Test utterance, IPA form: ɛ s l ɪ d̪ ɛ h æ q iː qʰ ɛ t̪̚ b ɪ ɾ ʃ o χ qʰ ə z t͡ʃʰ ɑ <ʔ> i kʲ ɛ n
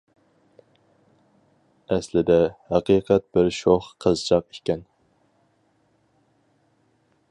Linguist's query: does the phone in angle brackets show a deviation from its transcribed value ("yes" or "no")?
yes